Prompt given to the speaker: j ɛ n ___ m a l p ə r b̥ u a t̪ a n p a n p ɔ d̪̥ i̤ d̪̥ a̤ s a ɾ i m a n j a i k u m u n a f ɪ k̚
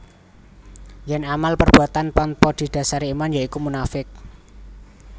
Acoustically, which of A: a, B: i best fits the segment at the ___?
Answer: A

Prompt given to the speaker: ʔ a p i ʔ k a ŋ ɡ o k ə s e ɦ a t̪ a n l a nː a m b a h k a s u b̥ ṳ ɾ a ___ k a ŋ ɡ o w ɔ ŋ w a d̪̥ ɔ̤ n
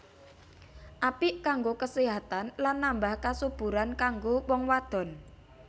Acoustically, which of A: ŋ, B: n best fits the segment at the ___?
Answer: B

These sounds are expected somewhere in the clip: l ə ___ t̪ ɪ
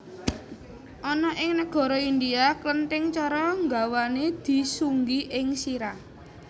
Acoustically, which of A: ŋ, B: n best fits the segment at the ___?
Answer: B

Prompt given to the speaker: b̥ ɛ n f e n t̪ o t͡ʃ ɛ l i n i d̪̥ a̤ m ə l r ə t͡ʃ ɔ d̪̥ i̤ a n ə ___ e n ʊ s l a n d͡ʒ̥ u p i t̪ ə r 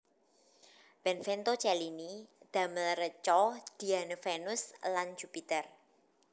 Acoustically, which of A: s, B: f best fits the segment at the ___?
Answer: B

